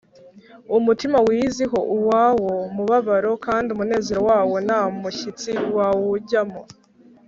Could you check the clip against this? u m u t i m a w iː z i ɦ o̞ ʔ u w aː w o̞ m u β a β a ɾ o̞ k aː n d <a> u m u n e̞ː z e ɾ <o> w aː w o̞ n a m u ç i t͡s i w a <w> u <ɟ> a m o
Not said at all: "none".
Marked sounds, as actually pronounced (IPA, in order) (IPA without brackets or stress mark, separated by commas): i, o, w, ɟ